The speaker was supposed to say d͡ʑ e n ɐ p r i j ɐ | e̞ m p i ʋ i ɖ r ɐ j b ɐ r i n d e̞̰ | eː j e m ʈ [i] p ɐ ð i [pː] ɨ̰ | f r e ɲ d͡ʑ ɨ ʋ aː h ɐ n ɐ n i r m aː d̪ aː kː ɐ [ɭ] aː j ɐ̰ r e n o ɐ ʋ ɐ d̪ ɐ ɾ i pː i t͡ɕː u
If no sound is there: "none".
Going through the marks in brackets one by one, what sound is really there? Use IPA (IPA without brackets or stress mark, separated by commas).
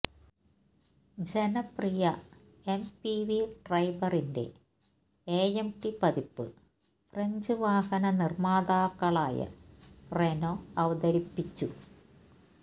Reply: i, pː, ɭ